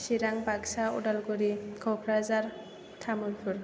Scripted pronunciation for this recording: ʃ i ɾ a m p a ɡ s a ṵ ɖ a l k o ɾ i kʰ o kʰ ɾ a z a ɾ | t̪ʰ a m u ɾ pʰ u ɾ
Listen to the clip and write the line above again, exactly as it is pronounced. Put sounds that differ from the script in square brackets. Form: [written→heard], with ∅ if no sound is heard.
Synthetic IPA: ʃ i ɾ a [m→ŋ] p a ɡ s a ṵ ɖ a l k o ɾ i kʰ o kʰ ɾ a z a ɾ | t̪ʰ a m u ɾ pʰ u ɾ